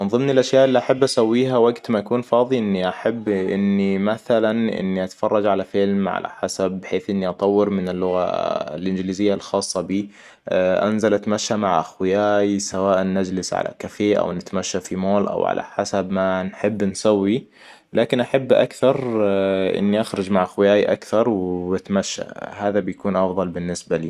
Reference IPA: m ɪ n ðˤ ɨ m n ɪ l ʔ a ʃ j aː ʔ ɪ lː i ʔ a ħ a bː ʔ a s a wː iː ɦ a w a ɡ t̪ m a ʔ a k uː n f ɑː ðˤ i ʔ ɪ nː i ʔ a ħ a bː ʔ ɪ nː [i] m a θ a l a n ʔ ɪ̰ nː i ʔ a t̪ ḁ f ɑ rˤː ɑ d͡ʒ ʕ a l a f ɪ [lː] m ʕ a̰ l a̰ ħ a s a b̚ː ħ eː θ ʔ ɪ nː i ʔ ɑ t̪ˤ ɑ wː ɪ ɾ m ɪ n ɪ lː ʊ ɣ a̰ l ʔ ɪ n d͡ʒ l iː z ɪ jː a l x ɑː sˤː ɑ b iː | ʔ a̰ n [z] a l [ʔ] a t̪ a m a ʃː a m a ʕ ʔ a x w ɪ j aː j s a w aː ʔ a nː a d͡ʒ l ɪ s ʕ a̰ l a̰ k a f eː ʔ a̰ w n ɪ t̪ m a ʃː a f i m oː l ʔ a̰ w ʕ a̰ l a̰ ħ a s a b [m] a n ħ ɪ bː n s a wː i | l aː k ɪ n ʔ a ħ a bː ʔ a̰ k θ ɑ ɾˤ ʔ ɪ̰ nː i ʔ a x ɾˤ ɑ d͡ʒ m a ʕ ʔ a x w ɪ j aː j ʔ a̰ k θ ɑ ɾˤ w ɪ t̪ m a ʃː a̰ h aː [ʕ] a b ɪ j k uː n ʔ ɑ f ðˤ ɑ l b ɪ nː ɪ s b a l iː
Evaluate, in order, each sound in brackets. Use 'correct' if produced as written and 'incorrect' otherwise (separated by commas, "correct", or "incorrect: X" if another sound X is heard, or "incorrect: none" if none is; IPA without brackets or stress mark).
correct, incorrect: l, correct, correct, correct, incorrect: ð